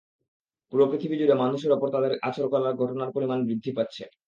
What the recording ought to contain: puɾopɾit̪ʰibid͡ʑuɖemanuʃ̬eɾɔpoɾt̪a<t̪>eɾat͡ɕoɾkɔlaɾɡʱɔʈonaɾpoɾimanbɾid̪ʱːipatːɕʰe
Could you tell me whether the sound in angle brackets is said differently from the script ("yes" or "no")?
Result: yes